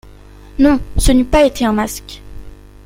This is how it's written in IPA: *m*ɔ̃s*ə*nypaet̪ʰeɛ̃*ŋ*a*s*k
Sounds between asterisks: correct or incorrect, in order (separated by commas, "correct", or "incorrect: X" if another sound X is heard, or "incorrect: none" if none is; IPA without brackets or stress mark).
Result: incorrect: n, correct, incorrect: m, correct